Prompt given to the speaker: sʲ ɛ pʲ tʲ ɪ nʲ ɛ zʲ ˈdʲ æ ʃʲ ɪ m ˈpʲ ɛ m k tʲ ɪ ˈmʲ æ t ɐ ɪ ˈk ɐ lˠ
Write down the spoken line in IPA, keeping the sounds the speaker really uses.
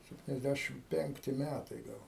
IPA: sʲ ɛ pʲ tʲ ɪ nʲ ɛ zʲ ˈdʲ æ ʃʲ ɪ m ˈpʲ ɛ ŋ k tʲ ɪ ˈmʲ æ t ɐ ɪ ˈɡ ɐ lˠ

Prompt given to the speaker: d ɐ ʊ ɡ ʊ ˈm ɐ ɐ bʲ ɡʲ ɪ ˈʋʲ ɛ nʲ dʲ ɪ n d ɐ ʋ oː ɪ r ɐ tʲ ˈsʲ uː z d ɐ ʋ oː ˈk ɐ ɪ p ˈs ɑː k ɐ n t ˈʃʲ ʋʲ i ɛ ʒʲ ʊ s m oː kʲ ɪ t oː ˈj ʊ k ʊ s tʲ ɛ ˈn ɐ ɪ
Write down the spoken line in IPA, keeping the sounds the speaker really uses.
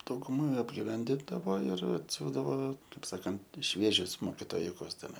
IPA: d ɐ ʊ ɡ ʊ ˈm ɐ ɐ bʲ ɡʲ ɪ ˈʋʲ ɛ nʲ dʲ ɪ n d ɐ ʋ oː ɪ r ɐ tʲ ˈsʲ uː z d ɐ ʋ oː ˈk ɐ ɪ p ˈs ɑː k ɐ n t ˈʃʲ ʋʲ i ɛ ʒʲ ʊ s m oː kʲ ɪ t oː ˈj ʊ k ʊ s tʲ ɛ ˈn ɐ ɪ

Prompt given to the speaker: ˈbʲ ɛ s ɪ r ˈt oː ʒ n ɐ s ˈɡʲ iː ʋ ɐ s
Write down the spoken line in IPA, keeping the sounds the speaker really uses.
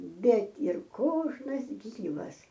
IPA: ˈbʲ ɛ t ɪ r ˈk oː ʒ n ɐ s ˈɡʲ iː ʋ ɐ s

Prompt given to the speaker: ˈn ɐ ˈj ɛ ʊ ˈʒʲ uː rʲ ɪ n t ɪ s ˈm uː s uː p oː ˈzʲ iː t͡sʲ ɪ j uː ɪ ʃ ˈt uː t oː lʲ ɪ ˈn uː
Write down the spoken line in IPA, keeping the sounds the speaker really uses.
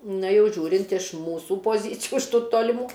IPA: ˈn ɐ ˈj ɛ ʊ ˈʒʲ uː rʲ ɪ n t ɪ ʃ ˈm uː s uː p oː ˈzʲ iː t͡sʲ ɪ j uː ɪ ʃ ˈt uː t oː lʲ ɪ ˈm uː

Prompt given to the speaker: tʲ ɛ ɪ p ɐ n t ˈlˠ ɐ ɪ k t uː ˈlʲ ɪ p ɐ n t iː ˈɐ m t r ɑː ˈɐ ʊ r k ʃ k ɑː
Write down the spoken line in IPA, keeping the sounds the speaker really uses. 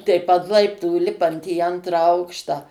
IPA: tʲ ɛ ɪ p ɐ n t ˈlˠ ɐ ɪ p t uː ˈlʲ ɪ p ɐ n t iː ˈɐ n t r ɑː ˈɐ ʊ k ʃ t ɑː

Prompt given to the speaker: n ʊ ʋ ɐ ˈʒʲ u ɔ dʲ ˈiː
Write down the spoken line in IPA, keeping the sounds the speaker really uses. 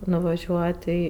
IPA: n ʊ ʋ ɐ ˈʒʲ u ɔ tʲ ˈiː

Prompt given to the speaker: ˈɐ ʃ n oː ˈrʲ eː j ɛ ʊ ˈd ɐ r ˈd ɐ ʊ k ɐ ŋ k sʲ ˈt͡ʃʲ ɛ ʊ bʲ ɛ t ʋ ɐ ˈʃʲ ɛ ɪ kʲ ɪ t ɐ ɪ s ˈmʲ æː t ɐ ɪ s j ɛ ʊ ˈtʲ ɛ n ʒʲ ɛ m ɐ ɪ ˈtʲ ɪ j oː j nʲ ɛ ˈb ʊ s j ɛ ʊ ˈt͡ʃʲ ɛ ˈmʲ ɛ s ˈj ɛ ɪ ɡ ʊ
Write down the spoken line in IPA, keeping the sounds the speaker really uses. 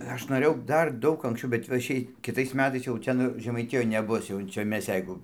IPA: ˈɐ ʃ n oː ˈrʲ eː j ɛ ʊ ˈd ɐ r ˈd ɐ ʊ k ɐ ŋ k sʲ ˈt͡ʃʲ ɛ ʊ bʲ ɛ t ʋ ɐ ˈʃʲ ɛ ɪ kʲ ɪ t ɐ ɪ s ˈmʲ æː t ɐ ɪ s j ɛ ʊ ˈtʲ ɛ n ʒʲ ɛ m ɐ ɪ ˈtʲ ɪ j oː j nʲ ɛ ˈb ʊ s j ɛ ʊ ˈt͡ʃʲ ɛ ˈmʲ ɛ s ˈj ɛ ɪ ɡ ʊ

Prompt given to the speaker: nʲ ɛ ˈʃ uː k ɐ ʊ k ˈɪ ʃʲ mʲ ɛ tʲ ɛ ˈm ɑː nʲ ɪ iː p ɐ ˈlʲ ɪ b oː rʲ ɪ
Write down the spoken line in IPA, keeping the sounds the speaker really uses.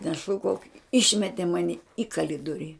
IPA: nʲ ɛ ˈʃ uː k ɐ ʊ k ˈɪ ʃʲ mʲ ɛ tʲ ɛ ˈm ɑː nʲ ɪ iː k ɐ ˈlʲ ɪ d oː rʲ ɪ

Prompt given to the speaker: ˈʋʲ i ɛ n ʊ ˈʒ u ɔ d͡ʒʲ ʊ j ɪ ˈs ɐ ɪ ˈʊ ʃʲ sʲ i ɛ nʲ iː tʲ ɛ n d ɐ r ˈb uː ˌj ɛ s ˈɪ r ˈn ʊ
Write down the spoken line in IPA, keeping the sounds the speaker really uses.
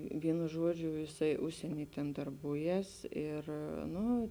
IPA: ˈʋʲ i ɛ n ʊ ˈʒ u ɔ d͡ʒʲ ʊ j ɪ ˈs ɐ ɪ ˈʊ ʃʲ sʲ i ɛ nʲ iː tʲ ɛ n d ɐ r ˈb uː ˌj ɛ s ˈɪ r ˈn ʊ

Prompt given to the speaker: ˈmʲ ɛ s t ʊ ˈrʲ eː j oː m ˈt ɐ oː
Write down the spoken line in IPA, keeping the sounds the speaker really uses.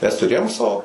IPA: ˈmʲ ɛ s t ʊ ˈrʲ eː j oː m ˈs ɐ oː

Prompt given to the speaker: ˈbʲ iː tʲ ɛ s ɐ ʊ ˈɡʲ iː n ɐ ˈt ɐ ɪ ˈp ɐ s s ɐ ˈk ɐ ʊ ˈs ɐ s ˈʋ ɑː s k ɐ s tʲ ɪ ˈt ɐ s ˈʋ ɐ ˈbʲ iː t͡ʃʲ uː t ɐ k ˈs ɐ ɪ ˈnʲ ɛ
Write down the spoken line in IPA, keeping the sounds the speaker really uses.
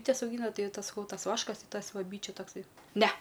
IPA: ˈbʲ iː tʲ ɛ s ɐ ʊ ˈɡʲ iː n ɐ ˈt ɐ ɪ ˈt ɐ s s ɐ ˈk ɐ ʊ ˈt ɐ s ˈʋ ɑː ʃ k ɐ s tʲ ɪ ˈt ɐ s ˈʋ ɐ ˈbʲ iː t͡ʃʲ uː t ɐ k ˈs ɐ ɪ ˈnʲ ɛ

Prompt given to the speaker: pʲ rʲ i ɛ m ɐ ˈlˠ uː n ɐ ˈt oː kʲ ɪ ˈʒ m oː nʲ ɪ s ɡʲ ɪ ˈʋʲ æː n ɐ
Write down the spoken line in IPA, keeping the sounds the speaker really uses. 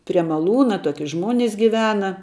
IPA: pʲ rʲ i ɛ m ɐ ˈlˠ uː n ɐ ˈt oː kʲ ɪ ˈʒ m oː nʲ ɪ s ɡʲ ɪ ˈʋʲ æː n ɐ

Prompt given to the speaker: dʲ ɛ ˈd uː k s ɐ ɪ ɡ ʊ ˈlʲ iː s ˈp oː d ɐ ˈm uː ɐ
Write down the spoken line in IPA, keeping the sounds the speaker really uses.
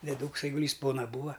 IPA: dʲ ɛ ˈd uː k s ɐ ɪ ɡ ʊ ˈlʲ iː s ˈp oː n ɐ ˈb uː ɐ

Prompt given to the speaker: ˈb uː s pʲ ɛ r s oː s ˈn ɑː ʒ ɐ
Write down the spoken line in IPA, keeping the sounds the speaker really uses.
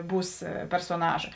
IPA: ˈb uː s pʲ ɛ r s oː ˈn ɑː ʒ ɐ

